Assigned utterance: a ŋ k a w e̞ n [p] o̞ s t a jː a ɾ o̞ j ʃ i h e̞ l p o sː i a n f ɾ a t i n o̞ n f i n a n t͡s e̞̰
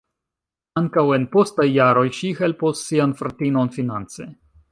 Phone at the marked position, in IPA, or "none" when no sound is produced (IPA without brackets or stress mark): p